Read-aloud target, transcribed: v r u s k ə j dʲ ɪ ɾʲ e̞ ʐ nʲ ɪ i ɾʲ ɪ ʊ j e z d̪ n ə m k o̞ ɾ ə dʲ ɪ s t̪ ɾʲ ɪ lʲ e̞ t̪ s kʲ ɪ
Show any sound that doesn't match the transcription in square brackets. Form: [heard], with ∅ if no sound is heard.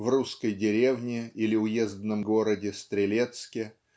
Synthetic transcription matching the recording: v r u s k ə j dʲ ɪ ɾʲ e̞ [v] nʲ ɪ i [lʲ] ɪ ʊ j e z d̪ n ə m [ɡ] o̞ ɾ ə dʲ ɪ s t̪ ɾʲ ɪ lʲ e̞ t̪ s kʲ ɪ